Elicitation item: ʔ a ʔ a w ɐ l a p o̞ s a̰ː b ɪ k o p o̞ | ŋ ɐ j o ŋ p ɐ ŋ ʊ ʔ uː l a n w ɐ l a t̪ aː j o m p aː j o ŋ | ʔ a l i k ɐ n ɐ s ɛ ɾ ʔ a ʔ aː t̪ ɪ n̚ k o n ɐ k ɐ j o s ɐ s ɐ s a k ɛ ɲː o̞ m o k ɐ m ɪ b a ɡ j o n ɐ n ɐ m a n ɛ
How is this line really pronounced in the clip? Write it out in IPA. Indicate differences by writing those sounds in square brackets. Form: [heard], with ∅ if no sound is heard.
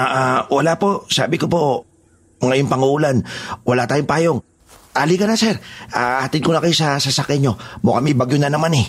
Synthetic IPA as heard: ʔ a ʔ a w ɐ l a p o̞ s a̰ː b ɪ k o p o̞ | ŋ ɐ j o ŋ p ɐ ŋ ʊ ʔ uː l a n w ɐ l a t̪ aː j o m p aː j o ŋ | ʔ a l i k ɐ n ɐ s ɛ ɾ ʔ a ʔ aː t̪ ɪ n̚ k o n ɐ k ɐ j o s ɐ s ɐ s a k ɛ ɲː o̞ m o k ɐ m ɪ b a ɡ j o n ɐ n ɐ m a n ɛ